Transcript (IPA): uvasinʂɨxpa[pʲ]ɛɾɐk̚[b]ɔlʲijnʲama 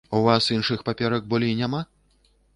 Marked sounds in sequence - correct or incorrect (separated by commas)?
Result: correct, correct